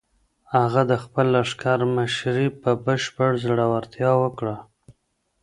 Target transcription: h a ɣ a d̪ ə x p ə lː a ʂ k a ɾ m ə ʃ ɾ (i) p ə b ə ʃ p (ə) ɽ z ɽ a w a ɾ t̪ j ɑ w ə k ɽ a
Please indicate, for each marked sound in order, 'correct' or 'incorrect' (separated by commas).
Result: correct, correct